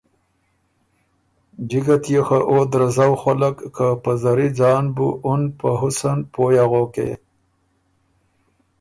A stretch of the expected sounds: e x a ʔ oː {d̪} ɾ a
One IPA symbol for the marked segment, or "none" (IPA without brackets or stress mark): d̪